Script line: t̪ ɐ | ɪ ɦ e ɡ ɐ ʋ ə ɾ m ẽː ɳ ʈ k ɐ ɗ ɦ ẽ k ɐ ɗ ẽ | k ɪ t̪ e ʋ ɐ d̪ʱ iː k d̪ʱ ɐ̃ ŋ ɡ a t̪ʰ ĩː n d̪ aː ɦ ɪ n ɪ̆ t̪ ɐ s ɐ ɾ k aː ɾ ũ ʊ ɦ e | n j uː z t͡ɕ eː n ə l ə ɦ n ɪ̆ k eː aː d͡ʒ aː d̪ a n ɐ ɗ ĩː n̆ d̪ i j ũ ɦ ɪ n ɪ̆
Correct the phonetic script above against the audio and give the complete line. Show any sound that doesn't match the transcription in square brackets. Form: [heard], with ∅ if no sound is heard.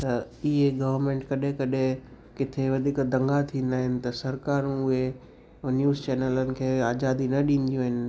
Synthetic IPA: t̪ ɐ | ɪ ɦ e ɡ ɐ ʋ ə ɾ m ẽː ɳ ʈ k ɐ ɗ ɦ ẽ k ɐ ɗ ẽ | k ɪ [t̪ʰ] e ʋ ɐ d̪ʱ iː k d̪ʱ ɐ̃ ŋ ɡ a t̪ʰ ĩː n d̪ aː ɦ ɪ n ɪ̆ t̪ ɐ s ɐ ɾ k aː ɾ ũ ʊ ɦ e | n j uː z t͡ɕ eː n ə l ə [∅] n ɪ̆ [kʰ] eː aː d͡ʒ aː d̪ [i] n ɐ ɗ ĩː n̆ d̪ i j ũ ɦ ɪ n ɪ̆

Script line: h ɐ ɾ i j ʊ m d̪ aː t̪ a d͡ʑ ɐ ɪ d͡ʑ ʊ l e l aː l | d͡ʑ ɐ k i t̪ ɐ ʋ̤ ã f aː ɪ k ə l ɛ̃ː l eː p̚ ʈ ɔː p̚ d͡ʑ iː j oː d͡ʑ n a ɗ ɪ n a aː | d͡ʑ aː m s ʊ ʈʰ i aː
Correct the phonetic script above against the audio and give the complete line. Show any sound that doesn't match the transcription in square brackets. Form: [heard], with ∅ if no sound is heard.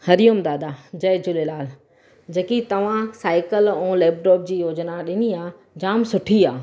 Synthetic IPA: h ɐ ɾ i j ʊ m d̪ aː [d̪] a d͡ʑ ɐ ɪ d͡ʑ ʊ l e l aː l | d͡ʑ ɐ k i t̪ ɐ ʋ̤ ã [s] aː ɪ k ə l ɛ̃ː l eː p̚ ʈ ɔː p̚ d͡ʑ iː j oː d͡ʑ n a ɗ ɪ n [i] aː | d͡ʑ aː m s ʊ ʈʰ i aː

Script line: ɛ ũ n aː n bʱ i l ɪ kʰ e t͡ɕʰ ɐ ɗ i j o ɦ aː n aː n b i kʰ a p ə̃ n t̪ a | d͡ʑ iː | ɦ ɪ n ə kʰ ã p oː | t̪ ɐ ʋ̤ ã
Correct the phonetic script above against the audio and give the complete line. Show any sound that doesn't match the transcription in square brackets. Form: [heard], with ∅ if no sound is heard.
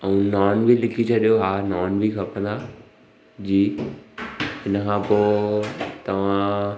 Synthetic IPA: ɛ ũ n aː n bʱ i l ɪ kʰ [i] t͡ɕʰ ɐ ɗ i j o ɦ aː n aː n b i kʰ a p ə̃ n [d̪] a | d͡ʑ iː | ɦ ɪ n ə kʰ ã p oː | t̪ ɐ ʋ̤ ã

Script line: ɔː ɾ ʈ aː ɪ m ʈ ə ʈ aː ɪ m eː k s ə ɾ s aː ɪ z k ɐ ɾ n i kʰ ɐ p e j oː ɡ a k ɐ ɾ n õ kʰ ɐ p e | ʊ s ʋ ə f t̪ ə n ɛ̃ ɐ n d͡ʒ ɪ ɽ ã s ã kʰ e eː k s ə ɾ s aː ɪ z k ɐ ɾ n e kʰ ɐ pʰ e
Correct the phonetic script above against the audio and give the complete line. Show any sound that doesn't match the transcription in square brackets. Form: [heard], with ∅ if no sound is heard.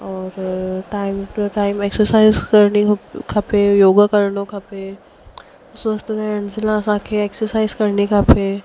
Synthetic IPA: ɔː ɾ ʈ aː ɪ m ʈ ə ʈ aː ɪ m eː k s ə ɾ s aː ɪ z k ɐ ɾ n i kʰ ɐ p e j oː ɡ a k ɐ ɾ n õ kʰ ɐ p e | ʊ s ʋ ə [s] t̪ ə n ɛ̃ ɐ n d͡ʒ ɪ [l] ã s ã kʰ e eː k s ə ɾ s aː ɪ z k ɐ ɾ n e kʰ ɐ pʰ e

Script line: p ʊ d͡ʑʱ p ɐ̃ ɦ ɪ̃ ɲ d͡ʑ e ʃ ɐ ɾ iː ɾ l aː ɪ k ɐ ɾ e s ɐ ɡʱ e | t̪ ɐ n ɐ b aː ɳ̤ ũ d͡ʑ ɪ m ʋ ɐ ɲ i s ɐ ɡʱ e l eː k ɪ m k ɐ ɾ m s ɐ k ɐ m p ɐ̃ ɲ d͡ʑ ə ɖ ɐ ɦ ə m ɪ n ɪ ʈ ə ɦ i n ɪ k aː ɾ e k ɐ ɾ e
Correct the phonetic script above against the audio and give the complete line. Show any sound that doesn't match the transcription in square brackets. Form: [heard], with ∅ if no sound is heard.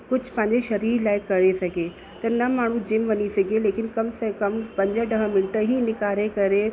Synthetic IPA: [k] ʊ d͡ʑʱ p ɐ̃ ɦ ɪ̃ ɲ d͡ʑ e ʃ ɐ ɾ iː ɾ l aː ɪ k ɐ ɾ e s ɐ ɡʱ e | t̪ ɐ n ɐ [m] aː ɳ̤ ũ d͡ʑ ɪ m ʋ ɐ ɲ i s ɐ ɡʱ e l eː k ɪ [n] k ɐ [∅] m s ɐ k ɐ m p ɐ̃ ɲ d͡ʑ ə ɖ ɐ ɦ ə m ɪ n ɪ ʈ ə ɦ i n ɪ k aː ɾ e k ɐ ɾ e

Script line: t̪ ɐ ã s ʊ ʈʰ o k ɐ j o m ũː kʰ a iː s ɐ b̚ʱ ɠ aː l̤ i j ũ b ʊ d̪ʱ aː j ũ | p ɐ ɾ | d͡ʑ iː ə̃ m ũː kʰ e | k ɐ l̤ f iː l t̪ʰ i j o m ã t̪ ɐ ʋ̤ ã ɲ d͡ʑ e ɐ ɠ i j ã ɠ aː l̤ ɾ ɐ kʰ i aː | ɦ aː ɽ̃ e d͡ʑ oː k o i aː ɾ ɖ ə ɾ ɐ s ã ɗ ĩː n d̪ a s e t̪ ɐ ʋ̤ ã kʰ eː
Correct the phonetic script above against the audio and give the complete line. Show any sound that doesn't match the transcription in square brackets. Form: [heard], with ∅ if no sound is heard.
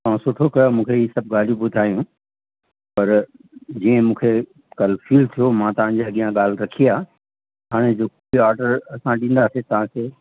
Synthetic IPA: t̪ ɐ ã s ʊ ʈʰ o k ɐ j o m ũː kʰ [e] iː s ɐ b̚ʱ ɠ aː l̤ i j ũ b ʊ d̪ʱ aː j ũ | p ɐ ɾ | d͡ʑ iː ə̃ m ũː kʰ e | k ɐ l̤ f iː l t̪ʰ i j o m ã t̪ ɐ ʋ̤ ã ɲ d͡ʑ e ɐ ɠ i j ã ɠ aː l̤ ɾ ɐ kʰ i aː | ɦ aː ɽ̃ e d͡ʑ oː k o i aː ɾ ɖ ə ɾ ɐ s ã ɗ ĩː n d̪ a s e t̪ ɐ ʋ̤ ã kʰ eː

